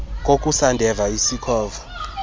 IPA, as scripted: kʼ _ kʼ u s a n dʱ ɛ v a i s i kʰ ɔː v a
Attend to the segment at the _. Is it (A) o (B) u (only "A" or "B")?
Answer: A